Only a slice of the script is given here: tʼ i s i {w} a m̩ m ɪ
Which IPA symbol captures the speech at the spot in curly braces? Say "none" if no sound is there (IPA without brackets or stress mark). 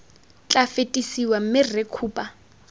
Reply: w